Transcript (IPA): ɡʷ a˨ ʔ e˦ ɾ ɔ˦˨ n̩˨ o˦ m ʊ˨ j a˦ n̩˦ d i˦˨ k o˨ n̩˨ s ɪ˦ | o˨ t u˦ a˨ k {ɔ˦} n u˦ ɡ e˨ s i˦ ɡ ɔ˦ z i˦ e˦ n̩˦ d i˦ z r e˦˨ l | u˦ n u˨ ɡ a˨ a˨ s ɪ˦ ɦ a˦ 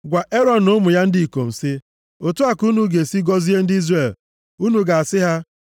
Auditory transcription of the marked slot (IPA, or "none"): u˦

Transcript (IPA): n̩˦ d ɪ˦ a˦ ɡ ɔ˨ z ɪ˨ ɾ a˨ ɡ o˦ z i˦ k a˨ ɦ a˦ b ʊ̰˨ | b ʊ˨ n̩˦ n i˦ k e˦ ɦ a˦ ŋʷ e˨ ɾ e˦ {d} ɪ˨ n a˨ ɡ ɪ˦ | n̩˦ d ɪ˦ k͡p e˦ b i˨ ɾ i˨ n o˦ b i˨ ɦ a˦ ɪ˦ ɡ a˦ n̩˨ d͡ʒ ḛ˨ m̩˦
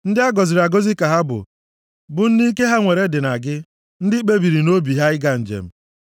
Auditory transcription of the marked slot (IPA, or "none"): d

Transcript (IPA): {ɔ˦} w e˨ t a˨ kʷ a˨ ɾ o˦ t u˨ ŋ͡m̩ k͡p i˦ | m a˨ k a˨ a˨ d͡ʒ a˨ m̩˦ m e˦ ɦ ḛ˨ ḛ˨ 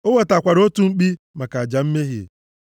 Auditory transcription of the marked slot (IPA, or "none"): o˦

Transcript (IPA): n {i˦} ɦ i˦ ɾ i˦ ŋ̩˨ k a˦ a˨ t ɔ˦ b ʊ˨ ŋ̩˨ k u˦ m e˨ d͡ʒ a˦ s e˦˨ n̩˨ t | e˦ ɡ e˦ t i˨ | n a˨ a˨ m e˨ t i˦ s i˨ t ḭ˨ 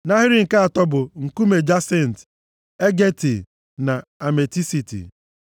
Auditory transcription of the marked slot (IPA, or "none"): a˦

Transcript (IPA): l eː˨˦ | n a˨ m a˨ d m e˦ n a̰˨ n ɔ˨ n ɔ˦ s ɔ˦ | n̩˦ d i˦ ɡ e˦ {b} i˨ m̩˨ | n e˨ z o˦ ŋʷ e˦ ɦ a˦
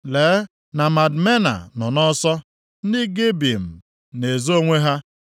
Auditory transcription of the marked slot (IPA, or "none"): b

